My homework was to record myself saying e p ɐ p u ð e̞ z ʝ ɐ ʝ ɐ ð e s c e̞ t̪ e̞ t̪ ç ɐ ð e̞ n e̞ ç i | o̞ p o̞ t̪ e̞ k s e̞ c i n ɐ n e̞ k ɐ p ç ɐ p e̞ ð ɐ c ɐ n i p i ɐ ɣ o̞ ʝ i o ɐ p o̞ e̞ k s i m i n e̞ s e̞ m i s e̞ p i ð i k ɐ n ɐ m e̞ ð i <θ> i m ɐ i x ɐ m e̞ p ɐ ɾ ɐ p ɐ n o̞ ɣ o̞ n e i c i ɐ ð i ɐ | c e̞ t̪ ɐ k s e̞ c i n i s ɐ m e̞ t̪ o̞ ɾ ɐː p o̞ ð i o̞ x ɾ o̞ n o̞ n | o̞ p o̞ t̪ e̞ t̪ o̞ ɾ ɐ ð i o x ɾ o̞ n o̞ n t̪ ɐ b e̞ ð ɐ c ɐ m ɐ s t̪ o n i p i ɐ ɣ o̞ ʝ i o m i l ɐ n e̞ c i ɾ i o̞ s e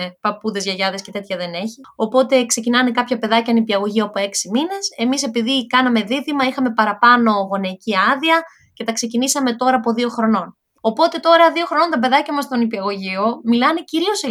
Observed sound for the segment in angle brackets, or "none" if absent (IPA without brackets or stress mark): ð